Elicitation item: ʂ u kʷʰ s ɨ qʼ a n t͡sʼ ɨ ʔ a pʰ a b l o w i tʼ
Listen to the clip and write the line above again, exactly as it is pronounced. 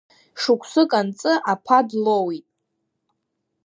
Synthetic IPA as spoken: ʂ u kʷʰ s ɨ kʼ a n t͡sʼ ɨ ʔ a pʰ a d l o w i tʼ